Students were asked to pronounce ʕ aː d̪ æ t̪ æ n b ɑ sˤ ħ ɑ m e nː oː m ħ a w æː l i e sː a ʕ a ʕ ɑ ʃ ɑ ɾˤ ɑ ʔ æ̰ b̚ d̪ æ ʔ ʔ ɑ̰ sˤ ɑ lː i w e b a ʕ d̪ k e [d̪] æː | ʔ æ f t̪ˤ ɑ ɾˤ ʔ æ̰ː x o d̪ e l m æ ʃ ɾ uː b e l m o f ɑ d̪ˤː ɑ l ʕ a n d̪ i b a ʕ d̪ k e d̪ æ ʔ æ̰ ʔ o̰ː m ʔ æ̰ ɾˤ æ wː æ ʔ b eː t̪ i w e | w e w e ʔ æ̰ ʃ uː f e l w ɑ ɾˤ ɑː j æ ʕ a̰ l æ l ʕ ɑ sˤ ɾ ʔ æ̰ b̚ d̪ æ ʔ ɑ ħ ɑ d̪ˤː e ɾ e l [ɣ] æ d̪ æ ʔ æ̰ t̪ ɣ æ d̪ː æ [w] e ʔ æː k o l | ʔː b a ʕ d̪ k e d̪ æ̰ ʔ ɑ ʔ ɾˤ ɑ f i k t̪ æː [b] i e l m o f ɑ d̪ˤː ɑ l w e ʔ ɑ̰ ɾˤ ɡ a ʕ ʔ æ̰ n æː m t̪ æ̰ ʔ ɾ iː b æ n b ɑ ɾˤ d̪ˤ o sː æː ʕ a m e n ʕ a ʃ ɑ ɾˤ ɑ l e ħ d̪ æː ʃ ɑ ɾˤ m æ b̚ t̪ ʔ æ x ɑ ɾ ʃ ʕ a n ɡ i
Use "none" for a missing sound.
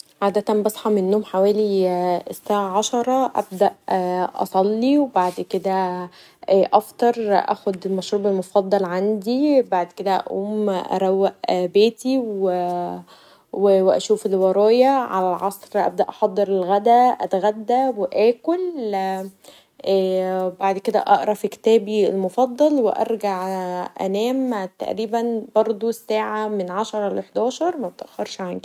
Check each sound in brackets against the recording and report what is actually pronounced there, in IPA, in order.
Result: d̪, ɣ, w, b

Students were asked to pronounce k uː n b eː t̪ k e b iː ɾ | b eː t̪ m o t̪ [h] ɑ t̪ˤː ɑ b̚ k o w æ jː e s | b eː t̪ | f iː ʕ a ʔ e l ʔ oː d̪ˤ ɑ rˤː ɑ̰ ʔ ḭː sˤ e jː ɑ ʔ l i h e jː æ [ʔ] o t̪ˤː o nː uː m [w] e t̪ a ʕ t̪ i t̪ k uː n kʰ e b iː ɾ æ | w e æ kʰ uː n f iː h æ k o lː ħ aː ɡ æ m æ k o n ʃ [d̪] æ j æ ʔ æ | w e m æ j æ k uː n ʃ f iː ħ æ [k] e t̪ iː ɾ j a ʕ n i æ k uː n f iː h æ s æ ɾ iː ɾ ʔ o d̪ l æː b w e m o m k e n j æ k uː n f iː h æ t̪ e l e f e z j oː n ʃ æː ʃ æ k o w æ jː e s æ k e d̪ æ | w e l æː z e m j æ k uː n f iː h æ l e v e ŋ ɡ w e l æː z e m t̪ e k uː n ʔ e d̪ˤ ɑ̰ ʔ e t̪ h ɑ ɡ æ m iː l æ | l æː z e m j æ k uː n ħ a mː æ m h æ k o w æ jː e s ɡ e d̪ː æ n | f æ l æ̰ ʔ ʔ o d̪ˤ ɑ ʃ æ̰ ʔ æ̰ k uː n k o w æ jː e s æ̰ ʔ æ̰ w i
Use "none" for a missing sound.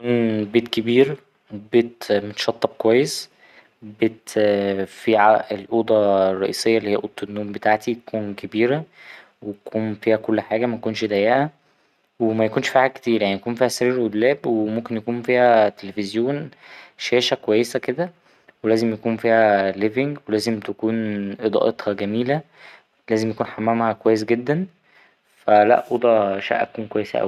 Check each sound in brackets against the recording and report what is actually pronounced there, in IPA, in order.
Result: ʃ, ʔ, b, d̪, k

